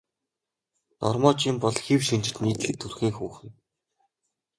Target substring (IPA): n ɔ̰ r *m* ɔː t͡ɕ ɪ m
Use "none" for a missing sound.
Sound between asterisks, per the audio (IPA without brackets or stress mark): m